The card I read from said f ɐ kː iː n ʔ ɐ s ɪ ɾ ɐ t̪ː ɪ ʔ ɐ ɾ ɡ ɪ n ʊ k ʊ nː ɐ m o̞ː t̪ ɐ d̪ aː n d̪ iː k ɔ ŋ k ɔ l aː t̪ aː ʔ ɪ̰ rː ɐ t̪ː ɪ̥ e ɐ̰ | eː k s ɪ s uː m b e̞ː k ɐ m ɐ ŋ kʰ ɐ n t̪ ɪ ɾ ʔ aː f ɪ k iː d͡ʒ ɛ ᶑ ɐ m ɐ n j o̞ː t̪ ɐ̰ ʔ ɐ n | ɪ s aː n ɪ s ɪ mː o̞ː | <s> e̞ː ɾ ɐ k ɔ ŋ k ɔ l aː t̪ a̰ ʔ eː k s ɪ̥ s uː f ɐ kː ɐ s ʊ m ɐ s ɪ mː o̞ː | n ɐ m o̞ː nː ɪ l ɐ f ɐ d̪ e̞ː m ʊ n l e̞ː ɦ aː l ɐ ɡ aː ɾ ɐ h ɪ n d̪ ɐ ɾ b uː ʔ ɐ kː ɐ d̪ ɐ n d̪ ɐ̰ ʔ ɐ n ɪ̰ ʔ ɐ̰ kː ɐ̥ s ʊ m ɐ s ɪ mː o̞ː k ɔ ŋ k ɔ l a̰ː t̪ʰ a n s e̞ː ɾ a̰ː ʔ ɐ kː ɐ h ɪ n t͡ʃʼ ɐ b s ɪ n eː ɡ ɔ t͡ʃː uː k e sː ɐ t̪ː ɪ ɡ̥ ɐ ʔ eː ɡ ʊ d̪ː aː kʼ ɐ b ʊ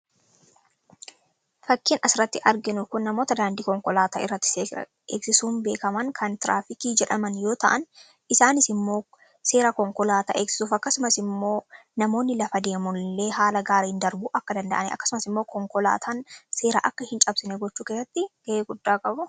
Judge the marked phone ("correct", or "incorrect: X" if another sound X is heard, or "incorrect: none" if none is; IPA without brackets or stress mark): correct